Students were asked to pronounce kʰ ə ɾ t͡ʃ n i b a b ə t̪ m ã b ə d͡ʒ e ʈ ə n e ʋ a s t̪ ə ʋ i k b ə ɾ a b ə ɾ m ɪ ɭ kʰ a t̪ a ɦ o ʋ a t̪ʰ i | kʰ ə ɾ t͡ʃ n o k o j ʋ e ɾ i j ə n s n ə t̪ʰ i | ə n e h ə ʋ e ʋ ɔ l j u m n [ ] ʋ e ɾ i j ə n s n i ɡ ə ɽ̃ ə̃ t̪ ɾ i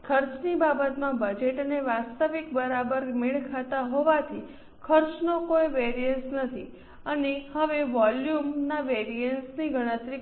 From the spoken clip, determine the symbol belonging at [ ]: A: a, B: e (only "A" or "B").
A